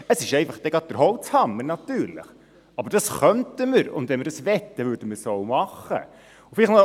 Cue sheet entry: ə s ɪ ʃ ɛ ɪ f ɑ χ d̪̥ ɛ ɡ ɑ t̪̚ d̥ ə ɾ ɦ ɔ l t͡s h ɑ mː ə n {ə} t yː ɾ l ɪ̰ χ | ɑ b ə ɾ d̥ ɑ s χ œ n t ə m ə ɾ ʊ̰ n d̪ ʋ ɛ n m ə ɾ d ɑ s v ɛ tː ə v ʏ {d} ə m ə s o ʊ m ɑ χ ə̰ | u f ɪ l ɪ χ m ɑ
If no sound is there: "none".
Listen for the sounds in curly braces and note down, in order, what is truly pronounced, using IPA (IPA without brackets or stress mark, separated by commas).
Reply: ɑ, d